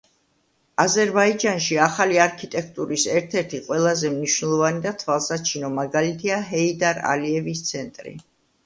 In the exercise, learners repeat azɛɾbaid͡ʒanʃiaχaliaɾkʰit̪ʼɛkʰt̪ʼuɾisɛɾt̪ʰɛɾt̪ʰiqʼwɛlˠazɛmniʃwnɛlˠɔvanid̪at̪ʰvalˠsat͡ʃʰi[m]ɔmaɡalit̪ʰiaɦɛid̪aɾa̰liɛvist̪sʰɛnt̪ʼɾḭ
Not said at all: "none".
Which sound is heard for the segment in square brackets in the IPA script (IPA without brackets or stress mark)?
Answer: n